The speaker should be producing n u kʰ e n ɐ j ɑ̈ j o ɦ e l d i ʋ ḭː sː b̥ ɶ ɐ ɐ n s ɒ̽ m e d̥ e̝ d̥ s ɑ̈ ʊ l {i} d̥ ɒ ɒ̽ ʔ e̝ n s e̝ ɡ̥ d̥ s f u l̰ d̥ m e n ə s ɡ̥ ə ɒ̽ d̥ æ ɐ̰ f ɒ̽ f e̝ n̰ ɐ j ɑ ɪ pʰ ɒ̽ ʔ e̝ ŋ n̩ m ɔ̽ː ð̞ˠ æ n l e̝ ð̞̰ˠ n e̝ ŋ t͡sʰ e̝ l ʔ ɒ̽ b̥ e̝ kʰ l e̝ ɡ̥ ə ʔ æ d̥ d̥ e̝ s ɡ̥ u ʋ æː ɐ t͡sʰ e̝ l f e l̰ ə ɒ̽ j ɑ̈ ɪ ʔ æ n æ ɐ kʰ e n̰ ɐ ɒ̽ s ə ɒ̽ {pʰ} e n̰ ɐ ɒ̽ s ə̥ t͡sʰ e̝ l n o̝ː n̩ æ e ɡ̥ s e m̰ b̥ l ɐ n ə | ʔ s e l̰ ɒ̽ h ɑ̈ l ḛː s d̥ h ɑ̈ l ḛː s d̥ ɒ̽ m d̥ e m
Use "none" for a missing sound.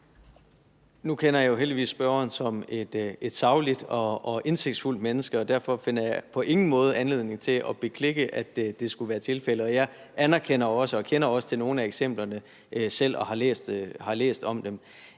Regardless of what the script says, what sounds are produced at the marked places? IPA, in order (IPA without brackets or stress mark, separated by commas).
i, kʰ